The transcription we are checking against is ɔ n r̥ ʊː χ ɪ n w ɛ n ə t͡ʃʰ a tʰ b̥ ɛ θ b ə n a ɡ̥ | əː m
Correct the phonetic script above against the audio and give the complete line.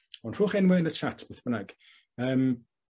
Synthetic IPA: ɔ n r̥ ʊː χ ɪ n w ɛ n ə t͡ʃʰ a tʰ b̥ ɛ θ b ə n a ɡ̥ | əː m